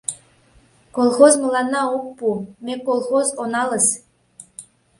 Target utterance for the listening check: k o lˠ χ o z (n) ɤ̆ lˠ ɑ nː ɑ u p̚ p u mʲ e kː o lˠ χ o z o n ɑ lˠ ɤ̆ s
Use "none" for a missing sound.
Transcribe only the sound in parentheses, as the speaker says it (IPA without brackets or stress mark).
m